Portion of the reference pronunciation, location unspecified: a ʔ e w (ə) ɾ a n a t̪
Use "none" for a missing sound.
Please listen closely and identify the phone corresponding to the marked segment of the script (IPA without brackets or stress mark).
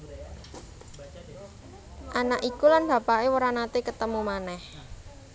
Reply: ə